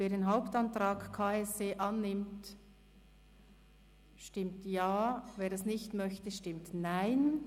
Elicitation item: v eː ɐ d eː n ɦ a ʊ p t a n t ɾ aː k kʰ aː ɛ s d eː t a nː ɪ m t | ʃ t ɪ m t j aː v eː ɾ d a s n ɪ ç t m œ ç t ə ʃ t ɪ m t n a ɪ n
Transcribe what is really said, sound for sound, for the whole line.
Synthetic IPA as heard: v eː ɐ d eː n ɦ a ʊ p t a n t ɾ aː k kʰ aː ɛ s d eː ʔ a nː ɪ m t | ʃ t ɪ m t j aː v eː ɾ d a s n ɪ ç t m œ ç t ə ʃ t ɪ m t n a ɪ n